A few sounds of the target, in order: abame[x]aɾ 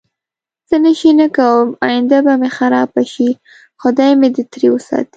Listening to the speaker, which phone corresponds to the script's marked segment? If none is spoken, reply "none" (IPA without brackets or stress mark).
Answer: x